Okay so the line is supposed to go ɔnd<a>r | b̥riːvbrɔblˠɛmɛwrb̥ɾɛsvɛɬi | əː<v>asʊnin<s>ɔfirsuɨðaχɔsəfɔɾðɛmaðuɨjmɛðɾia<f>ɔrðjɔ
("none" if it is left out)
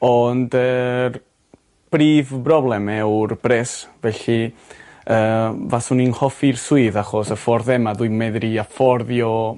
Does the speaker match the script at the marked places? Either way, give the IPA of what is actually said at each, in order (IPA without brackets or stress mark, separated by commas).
ə, v, h, f